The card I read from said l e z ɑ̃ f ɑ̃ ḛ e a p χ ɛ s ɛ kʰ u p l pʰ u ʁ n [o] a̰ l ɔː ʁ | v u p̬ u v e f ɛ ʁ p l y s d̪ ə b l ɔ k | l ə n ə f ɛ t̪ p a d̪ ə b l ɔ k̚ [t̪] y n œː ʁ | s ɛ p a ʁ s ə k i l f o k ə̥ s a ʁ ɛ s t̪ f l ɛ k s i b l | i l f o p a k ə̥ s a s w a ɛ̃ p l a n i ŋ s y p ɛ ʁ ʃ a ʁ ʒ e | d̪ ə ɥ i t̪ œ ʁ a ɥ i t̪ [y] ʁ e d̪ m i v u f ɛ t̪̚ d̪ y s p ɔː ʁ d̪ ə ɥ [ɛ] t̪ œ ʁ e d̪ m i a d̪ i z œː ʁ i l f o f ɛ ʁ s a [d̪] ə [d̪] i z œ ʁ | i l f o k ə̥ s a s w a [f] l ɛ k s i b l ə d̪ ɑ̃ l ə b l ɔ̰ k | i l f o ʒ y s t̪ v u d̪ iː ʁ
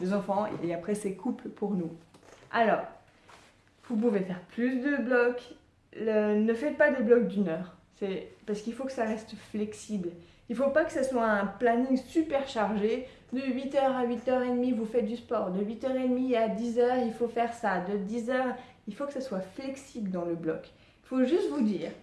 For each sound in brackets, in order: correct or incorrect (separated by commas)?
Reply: incorrect, incorrect, incorrect, incorrect, correct, correct, correct